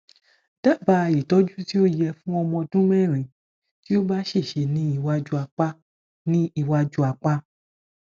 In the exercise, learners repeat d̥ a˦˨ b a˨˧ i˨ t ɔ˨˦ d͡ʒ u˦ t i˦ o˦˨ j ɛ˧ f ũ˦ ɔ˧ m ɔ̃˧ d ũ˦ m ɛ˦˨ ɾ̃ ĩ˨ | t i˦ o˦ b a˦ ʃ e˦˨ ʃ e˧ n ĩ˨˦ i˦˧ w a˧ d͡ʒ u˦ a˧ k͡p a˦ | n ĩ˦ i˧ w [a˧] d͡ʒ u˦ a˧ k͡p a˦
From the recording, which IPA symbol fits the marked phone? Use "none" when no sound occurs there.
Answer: a˧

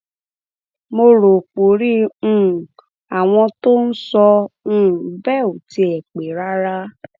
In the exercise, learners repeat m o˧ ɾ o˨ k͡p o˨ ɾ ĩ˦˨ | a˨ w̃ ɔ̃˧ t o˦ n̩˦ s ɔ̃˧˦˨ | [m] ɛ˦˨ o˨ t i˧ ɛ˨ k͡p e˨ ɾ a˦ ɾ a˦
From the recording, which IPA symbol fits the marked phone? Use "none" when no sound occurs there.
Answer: b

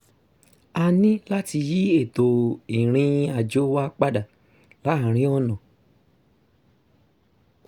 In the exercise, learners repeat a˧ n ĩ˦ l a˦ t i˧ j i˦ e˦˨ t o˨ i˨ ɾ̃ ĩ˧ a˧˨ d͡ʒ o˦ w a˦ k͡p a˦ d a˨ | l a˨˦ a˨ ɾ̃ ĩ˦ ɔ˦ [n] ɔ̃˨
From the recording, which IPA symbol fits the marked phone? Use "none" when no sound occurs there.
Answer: n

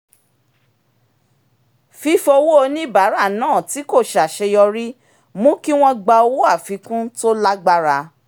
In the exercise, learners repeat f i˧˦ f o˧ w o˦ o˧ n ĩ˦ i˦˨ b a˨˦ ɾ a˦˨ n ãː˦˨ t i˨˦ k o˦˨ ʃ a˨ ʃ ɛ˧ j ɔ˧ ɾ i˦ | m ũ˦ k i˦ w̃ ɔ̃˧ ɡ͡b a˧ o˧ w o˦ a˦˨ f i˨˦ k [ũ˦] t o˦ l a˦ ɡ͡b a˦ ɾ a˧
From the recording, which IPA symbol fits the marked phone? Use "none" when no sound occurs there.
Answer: ũ˦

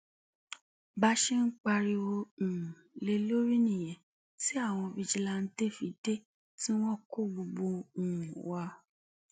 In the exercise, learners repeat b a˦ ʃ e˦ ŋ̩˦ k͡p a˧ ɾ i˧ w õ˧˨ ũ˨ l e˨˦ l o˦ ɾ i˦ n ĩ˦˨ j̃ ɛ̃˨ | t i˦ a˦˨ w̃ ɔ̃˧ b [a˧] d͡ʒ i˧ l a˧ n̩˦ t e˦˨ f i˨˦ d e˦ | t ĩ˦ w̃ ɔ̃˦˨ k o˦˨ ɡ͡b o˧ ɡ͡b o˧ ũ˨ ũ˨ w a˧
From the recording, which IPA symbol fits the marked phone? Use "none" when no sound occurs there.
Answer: i˧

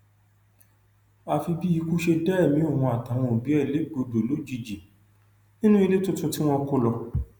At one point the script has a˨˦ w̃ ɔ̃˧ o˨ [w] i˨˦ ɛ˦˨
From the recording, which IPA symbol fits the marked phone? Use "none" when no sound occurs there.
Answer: b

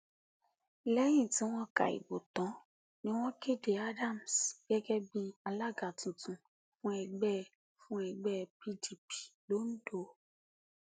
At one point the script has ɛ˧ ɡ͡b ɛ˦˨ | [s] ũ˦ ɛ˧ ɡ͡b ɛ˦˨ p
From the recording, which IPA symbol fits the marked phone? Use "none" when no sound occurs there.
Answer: f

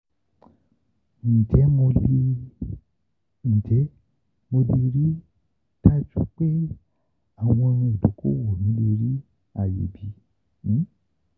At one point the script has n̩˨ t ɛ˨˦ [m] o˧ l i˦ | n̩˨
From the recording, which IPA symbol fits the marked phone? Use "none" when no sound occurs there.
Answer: m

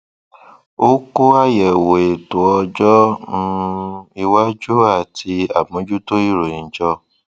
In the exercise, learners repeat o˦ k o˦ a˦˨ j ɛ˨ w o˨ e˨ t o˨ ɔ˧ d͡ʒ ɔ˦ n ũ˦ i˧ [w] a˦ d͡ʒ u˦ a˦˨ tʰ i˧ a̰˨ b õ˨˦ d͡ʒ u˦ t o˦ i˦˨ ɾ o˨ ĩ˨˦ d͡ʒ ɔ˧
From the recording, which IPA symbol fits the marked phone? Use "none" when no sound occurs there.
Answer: w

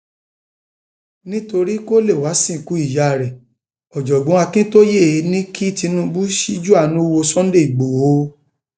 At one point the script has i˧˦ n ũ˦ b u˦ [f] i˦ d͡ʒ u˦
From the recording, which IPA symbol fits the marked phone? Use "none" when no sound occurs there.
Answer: ʃ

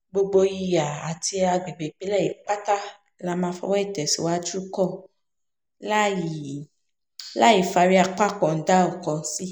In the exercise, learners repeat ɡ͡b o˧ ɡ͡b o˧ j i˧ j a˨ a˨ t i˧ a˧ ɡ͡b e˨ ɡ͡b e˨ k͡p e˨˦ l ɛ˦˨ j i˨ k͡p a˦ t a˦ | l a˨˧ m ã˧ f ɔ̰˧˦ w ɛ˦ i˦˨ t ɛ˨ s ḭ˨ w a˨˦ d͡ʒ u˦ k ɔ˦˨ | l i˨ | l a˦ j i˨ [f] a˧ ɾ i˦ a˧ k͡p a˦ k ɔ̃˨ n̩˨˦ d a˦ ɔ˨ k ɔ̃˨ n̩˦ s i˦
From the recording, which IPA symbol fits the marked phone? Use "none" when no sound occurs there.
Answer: f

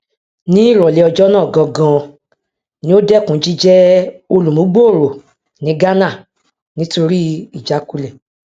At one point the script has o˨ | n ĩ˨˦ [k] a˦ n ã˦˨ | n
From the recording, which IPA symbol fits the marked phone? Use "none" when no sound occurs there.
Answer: ɡ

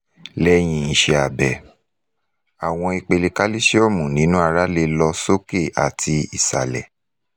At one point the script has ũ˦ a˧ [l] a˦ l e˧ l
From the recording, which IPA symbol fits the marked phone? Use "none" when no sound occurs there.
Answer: ɾ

